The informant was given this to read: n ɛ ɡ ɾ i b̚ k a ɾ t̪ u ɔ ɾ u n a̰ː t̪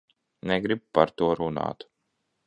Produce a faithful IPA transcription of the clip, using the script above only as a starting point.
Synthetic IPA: n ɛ ɡ ɾ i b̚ p a ɾ t̪ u ɔ ɾ u n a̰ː t̪